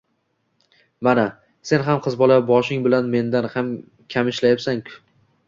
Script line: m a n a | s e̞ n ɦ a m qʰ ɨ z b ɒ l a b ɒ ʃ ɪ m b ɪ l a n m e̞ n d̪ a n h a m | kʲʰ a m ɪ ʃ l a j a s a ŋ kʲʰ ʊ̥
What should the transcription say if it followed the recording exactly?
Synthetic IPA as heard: m a n a | s e̞ n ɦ a m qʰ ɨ z b ɒ l a b ɒ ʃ ɪ ŋ b ɪ l a n m e̞ n d̪ a n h a m | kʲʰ a m ɪ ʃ l a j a s a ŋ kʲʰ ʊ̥